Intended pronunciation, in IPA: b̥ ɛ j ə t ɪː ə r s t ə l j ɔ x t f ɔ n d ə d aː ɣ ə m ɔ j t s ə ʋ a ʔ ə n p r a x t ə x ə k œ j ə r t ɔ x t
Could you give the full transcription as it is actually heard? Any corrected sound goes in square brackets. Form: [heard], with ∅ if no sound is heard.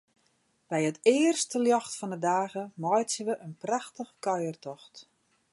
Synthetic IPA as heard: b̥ ɛ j ə t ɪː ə r s t ə l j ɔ x t f ɔ n d ə d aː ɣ ə m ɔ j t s ə ʋ [ə] ʔ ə n p r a x t ə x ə k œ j ə r t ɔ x t